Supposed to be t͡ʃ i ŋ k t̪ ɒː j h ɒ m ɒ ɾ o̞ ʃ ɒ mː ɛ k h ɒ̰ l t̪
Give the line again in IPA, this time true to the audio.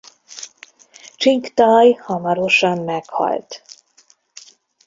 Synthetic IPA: t͡ʃ i ŋ k t̪ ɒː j h ɒ m ɒ ɾ o̞ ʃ ɒ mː ɛ k h ɒ̰ l t̪

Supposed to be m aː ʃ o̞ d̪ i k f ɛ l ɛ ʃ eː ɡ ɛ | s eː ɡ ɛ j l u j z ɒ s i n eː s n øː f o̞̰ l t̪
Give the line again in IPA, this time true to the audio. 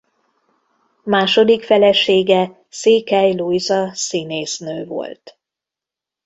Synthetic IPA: m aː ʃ o̞ d̪ i k f ɛ l ɛ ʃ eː ɡ ɛ | s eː k ɛ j l u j z ɒ s i n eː s n øː v o̞̰ l t̪

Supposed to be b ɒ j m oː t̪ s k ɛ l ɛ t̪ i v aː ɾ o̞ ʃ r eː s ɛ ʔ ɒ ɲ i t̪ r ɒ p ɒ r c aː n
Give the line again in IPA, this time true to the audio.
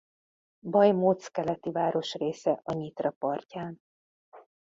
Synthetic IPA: b ɒ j m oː t̪ s k ɛ l ɛ t̪ i v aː ɾ o̞ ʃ r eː s ɛ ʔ ɒ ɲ i t̪ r ɒ p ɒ r c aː n

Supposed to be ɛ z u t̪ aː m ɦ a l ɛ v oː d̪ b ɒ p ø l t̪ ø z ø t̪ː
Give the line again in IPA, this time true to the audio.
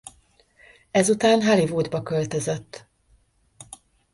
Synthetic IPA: ɛ z u t̪ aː n ɦ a l i v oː d̪ b ɒ k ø l t̪ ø z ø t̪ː

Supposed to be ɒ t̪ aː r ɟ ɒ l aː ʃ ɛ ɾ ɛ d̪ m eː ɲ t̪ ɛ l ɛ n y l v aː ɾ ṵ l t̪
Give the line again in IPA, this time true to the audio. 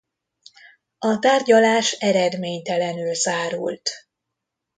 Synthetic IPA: ɒ t̪ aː r ɟ ɒ l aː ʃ ɛ ɾ ɛ d̪ m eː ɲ t̪ ɛ l ɛ n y l z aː ɾ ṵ l t̪

